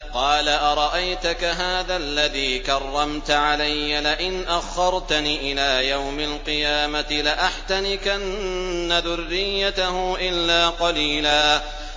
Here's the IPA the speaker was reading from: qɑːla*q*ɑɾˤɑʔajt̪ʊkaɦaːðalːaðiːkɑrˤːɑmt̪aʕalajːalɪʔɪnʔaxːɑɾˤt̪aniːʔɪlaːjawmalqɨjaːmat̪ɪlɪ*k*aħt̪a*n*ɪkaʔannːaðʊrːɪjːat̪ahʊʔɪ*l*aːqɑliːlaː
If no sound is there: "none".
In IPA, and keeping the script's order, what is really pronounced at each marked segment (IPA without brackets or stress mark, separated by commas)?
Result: ʔ, ʔ, n, lː